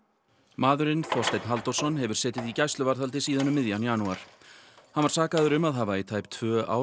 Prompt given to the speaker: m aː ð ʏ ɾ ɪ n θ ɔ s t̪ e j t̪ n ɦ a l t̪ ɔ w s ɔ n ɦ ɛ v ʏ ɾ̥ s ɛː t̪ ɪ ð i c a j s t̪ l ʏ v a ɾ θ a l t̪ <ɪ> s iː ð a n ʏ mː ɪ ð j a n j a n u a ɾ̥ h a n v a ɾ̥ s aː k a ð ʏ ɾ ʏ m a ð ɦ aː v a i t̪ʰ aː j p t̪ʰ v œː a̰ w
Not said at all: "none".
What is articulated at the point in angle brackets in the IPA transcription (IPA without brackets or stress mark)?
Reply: ɪ